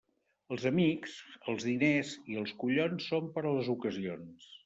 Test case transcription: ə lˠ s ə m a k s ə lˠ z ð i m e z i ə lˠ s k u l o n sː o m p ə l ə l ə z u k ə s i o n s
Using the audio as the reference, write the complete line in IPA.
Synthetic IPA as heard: ə lˠ z ə m i k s ə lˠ z ð i n e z i ə lˠ s k u ʎ o n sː o m p ə ɾ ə l ə z u k ə z i o n s